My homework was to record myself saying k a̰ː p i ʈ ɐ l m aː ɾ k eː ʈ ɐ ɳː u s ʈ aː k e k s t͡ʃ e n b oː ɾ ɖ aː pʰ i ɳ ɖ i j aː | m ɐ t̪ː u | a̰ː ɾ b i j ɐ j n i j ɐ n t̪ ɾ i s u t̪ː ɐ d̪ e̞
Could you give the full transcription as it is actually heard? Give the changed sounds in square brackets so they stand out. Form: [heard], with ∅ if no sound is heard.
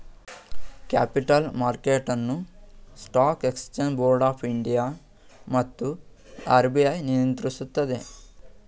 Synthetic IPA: k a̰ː p i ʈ ɐ l m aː ɾ k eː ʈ ɐ [nː] u s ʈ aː k e k s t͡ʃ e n b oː ɾ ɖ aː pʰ i ɳ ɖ i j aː | m ɐ t̪ː u | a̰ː ɾ b i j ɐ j n i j ɐ n t̪ ɾ i s u t̪ː ɐ d̪ e̞